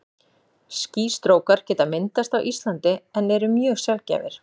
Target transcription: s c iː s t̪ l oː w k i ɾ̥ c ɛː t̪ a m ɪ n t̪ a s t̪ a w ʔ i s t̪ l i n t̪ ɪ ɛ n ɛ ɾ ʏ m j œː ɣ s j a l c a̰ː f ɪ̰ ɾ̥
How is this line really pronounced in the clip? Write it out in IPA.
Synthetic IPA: s c iː s t̪ ɾ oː w k a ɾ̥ c ɛː t̪ a m ɪ n t̪ a s t̪ a w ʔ i s t̪ l a n t̪ ɪ ɛ n ɛ ɾ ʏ m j œː ɣ s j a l c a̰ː v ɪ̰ ɾ̥